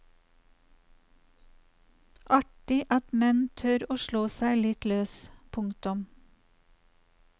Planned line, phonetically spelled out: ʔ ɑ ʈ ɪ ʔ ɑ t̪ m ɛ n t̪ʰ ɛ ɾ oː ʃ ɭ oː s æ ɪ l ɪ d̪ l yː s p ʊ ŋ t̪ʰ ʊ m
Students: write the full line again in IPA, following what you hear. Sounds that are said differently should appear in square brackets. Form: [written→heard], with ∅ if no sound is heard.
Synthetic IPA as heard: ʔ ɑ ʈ ɪ ʔ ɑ t̪ m ɛ n t̪ʰ [ɛ→œ] ɾ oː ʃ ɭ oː s æ ɪ l ɪ [d̪→t̪] l [yː→øː] s [p→pʰ] ʊ ŋ [t̪ʰ→t̪] ʊ m